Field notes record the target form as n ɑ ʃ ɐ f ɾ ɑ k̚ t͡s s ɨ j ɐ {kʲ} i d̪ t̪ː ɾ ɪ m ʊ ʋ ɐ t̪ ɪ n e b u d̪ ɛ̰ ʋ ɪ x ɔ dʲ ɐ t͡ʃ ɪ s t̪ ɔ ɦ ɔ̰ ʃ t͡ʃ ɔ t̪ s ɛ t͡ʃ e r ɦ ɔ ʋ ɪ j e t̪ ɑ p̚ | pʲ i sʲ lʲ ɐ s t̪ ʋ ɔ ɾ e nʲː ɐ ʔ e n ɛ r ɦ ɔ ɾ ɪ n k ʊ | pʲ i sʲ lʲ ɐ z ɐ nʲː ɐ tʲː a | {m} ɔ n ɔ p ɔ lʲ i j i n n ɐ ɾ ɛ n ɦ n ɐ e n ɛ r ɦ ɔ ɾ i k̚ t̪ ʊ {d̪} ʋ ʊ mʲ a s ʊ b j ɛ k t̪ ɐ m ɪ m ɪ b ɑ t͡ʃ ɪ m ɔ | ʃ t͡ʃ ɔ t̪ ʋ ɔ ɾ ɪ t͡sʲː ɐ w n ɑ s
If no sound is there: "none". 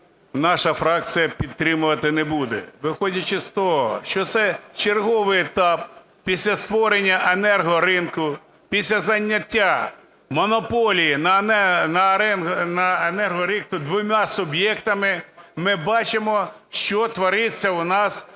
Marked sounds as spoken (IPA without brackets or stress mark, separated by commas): pʲ, m, d̪